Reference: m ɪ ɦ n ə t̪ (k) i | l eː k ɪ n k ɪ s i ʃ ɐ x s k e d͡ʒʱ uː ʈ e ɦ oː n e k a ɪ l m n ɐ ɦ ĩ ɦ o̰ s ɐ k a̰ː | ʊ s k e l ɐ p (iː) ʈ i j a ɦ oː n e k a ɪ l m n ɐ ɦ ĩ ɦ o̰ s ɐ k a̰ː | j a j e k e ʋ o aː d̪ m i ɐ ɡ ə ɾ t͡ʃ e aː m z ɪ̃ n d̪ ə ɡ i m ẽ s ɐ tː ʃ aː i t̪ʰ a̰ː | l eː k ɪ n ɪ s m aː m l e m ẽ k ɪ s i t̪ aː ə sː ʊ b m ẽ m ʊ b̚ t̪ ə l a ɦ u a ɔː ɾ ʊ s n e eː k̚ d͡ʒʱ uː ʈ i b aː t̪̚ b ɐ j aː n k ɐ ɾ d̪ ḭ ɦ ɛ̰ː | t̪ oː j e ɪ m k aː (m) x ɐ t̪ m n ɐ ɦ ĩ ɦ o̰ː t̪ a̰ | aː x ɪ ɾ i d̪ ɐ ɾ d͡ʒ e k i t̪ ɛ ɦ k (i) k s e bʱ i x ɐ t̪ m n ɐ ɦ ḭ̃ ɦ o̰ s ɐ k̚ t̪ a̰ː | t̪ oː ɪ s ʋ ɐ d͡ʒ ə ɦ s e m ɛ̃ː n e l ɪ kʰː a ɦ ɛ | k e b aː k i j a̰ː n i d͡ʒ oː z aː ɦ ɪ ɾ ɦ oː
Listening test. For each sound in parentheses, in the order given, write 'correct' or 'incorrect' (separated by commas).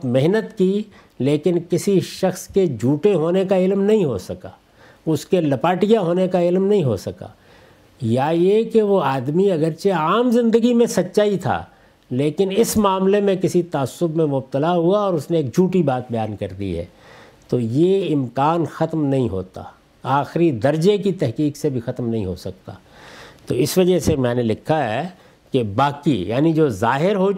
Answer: correct, incorrect, incorrect, incorrect